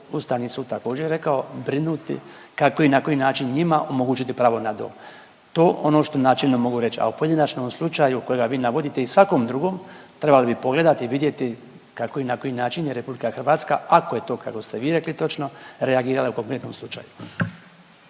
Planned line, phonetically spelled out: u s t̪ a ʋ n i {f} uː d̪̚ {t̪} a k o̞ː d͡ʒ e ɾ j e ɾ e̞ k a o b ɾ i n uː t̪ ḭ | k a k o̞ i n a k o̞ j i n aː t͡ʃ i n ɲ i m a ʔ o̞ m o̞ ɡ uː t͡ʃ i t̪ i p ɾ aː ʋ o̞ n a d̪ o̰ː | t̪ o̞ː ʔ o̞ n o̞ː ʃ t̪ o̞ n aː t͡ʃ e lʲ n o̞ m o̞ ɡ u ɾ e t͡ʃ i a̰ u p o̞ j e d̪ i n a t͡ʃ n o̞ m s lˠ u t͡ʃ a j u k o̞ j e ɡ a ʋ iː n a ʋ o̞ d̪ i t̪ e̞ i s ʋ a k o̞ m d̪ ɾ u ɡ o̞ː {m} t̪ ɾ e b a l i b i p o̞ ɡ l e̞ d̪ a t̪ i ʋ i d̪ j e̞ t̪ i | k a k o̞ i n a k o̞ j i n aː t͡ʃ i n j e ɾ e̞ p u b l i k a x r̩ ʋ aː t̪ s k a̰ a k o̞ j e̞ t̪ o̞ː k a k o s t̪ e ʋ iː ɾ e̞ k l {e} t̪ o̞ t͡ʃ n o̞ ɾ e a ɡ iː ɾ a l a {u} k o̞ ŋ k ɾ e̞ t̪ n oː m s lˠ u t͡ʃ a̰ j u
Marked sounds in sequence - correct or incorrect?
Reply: incorrect, correct, correct, incorrect, correct

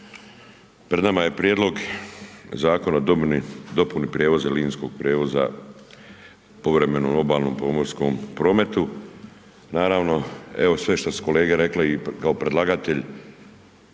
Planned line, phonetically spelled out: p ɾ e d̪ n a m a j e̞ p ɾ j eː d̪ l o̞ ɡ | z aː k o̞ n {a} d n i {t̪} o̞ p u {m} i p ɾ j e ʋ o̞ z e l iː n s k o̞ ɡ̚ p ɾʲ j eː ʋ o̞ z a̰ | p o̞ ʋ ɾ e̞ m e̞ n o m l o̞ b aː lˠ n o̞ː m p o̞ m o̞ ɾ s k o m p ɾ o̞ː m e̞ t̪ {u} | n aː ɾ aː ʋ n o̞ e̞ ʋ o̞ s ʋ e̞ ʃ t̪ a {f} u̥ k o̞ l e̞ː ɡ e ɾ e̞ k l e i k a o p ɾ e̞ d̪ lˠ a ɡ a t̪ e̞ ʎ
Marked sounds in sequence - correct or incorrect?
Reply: correct, incorrect, incorrect, correct, incorrect

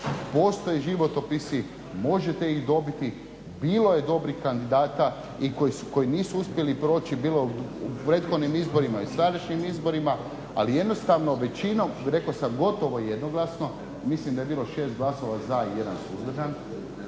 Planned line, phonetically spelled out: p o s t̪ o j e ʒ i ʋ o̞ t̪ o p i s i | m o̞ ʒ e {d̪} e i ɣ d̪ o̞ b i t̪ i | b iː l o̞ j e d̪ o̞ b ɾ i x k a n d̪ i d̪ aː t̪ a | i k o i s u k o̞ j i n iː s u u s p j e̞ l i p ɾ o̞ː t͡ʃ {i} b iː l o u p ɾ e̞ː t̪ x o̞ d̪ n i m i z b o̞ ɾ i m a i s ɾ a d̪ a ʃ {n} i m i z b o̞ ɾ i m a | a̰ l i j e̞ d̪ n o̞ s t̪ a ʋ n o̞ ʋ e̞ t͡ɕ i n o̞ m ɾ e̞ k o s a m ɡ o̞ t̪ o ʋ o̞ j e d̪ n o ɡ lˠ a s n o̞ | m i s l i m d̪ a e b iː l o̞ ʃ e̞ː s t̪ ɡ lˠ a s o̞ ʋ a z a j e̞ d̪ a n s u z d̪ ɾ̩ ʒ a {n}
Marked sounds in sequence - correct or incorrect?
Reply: incorrect, correct, incorrect, correct

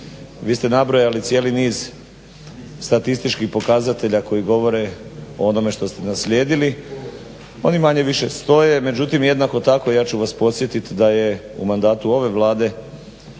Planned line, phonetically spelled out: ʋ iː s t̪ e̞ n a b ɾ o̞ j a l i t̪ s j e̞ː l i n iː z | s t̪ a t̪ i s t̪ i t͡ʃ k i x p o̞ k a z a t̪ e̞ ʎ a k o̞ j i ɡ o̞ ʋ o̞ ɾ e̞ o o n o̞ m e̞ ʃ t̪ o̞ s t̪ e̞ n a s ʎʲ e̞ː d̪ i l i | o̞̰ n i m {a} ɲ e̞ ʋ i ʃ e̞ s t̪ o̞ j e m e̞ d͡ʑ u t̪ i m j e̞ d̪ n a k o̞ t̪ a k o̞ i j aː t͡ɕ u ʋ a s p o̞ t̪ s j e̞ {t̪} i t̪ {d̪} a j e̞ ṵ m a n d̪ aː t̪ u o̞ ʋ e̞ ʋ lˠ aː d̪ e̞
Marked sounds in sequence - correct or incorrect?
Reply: correct, correct, correct

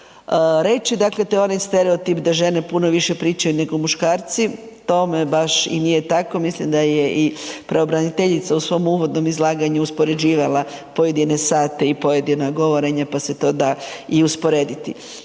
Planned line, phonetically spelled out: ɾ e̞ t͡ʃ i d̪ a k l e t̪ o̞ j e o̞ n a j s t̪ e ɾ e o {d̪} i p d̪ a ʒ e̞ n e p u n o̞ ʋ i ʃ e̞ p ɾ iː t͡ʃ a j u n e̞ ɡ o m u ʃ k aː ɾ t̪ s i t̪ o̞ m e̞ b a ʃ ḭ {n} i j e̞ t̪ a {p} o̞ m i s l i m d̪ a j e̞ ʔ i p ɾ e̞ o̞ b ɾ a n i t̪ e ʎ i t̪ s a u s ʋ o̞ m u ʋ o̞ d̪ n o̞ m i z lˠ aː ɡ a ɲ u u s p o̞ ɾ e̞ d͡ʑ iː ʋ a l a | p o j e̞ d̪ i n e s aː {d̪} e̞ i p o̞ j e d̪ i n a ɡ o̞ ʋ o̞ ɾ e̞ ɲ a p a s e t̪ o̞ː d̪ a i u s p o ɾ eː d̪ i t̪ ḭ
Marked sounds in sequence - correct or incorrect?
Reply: incorrect, correct, incorrect, incorrect

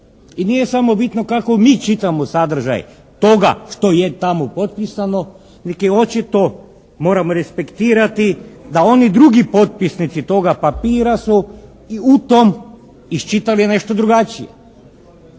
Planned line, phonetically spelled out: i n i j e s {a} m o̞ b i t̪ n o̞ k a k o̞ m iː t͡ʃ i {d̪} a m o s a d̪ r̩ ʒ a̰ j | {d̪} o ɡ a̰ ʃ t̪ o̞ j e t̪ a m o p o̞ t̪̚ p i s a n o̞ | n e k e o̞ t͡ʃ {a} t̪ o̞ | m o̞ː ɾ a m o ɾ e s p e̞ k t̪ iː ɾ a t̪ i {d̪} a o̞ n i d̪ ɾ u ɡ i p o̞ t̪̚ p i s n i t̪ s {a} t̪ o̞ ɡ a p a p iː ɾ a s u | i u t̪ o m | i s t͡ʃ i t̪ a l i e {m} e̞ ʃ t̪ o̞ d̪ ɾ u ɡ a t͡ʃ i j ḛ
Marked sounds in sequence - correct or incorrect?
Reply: correct, incorrect, incorrect, incorrect, correct, incorrect, incorrect

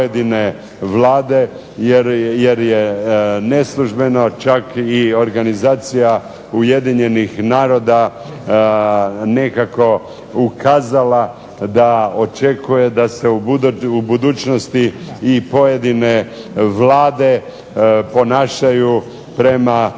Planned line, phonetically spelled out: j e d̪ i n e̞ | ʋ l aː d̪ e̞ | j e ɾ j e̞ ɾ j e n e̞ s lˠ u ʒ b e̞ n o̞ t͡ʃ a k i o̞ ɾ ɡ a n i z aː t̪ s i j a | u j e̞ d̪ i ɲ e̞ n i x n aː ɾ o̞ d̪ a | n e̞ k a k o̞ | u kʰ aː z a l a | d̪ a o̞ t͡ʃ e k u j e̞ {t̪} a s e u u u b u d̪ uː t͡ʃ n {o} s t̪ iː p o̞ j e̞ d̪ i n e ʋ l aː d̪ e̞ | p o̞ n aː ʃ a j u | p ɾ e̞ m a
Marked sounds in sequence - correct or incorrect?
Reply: incorrect, correct

